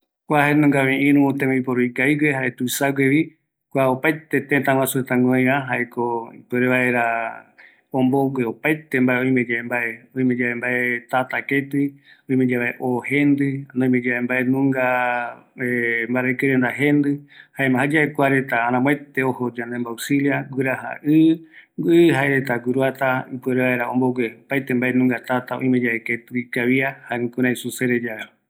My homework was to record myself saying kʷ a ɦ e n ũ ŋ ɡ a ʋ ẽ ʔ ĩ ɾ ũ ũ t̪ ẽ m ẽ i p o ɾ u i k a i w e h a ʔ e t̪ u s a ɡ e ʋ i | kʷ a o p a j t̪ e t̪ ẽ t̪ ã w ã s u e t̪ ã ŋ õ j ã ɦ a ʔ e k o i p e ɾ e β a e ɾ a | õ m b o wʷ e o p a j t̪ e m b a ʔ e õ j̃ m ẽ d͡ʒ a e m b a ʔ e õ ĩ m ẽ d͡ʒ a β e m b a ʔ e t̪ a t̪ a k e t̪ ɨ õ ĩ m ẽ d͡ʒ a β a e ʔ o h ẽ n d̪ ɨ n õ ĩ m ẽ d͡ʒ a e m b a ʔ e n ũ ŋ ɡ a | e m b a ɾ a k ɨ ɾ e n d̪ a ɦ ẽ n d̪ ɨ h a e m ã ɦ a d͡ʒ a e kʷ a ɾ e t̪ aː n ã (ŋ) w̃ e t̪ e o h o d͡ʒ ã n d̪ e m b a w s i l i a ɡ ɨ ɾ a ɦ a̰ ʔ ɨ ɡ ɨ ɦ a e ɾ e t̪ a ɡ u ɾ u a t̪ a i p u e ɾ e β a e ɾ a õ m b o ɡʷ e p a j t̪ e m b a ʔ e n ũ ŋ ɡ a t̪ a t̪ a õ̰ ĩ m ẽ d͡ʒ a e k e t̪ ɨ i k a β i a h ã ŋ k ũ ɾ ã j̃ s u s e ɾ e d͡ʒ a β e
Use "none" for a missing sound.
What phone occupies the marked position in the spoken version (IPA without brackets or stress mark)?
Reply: m